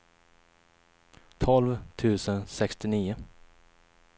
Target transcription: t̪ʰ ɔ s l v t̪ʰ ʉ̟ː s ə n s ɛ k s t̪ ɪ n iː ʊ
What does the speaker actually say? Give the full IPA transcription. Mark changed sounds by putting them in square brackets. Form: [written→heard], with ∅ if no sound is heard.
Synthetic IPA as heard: t̪ʰ ɔ [s→∅] l v t̪ʰ ʉ̟ː s ə n s ɛ k s t̪ ɪ n iː ʊ